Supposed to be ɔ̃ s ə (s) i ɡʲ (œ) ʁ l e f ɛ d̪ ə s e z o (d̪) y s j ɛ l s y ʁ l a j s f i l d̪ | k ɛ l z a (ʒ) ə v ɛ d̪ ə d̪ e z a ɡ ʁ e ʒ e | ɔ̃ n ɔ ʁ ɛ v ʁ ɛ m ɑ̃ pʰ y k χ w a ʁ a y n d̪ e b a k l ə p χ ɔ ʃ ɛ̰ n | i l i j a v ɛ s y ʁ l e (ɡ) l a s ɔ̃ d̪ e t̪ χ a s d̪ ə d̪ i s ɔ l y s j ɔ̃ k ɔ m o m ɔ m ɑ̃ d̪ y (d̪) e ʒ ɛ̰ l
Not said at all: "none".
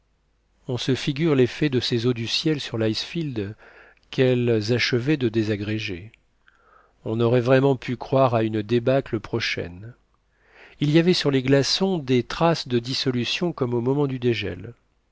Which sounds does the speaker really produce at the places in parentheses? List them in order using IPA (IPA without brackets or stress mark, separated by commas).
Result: f, y, d̪, ʃ, ɡ, d̪